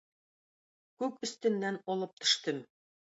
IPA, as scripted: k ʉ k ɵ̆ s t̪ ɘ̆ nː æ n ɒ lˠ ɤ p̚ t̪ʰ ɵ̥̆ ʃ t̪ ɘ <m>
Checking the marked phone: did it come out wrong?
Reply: no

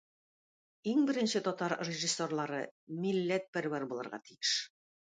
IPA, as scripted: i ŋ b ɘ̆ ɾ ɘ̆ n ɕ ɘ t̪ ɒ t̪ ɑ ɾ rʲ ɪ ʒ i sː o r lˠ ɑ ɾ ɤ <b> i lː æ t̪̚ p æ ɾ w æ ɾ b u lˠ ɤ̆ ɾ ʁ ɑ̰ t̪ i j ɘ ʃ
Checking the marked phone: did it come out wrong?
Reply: yes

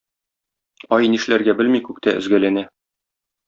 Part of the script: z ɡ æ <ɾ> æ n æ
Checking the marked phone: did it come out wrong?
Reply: yes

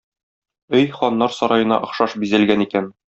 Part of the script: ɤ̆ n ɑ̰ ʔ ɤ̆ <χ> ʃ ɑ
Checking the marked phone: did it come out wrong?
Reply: no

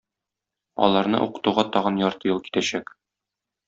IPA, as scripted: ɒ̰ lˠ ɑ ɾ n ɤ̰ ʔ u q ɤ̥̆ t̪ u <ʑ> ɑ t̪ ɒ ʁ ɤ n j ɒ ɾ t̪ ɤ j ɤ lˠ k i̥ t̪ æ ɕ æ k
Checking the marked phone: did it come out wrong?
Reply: yes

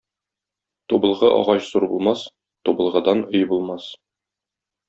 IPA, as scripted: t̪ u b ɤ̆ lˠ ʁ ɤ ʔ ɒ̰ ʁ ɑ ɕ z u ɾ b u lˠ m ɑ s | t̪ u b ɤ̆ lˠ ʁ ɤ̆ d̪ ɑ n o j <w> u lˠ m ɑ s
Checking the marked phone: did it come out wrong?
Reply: yes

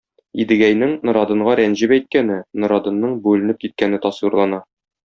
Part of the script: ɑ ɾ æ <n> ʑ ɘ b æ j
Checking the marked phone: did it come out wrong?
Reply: no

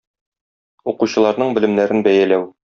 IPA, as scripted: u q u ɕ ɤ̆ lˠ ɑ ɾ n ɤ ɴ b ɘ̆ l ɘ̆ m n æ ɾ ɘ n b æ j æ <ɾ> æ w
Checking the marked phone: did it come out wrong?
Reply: yes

